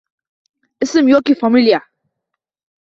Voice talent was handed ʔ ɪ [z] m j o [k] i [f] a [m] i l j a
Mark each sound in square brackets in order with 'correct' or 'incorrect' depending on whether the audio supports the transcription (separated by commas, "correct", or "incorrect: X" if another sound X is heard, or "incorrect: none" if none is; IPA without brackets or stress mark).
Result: incorrect: s, correct, correct, correct